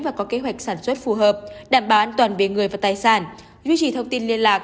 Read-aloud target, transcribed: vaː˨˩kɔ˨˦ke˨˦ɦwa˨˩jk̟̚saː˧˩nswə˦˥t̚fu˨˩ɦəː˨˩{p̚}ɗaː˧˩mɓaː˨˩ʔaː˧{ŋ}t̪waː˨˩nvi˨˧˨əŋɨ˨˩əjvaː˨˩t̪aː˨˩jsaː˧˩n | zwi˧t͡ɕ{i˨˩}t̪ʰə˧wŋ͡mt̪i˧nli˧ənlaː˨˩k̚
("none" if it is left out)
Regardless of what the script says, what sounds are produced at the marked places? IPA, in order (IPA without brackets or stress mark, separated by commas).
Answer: p̚, n, i˨˩